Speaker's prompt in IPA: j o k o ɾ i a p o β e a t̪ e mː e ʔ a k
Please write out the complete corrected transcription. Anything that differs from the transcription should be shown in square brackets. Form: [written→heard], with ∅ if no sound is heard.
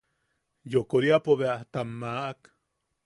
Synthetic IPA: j o k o ɾ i a p o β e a t̪ [e→a] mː [e→a] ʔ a k